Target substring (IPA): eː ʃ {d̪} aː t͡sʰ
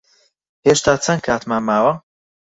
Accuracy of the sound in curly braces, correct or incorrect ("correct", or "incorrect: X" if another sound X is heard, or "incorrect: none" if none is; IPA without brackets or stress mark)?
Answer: incorrect: t̪